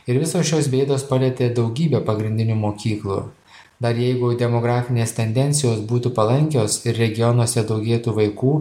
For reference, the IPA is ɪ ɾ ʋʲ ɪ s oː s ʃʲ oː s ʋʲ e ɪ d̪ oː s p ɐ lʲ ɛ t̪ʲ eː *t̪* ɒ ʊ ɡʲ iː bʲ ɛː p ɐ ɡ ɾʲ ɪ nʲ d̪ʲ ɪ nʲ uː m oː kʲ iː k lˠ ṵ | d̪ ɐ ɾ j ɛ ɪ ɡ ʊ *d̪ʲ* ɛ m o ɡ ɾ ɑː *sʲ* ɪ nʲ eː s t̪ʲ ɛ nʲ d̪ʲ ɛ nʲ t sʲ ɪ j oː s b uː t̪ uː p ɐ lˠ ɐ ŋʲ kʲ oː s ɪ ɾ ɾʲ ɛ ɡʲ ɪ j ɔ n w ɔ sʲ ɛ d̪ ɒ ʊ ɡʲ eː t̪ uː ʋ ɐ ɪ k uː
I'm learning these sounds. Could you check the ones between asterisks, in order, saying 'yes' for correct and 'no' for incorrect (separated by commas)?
no, yes, no